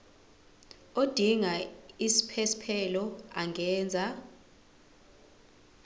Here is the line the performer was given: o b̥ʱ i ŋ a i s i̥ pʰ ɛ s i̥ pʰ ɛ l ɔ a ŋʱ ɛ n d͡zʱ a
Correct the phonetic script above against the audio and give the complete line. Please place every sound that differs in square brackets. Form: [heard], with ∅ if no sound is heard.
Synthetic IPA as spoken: o [d̥ʱ] i ŋ a i s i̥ pʰ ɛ s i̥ pʰ ɛ l ɔ a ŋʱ [ɛː] n d͡zʱ a